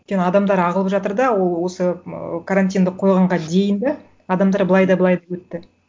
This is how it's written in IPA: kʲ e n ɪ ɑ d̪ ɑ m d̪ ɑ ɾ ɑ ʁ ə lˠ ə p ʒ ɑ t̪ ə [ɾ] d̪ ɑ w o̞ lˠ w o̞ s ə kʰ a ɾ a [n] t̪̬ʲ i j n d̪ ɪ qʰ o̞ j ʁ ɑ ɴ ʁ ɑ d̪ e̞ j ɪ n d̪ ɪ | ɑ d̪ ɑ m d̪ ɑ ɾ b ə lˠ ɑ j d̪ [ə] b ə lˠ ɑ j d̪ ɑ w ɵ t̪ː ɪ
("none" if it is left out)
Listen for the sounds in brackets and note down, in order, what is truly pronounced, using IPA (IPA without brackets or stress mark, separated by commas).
ɾ, n, ɑ